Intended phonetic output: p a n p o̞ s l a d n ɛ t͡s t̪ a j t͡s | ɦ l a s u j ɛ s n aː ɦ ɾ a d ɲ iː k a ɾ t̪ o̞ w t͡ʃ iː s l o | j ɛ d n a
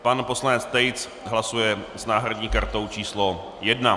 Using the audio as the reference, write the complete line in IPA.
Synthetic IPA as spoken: p a n p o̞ s l a n ɛ t͡s t̪ ɛ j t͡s | ɦ l a s u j ɛ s n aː ɦ ɾ a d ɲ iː k a ɾ t̪ o̞ w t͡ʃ iː s l o | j ɛ d n a